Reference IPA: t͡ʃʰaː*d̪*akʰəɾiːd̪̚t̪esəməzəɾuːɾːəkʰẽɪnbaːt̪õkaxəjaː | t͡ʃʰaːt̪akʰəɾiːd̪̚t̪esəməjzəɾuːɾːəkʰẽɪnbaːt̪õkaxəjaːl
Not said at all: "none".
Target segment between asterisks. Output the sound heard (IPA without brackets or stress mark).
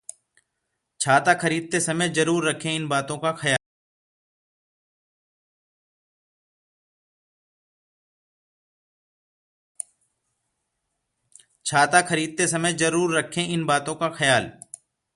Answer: t̪